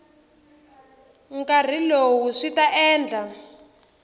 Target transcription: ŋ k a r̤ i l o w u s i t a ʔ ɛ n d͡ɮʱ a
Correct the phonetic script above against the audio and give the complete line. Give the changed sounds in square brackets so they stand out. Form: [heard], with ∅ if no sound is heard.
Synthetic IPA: ŋ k a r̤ i l o w u [ʂ] i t a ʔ [ɛː] n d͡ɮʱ a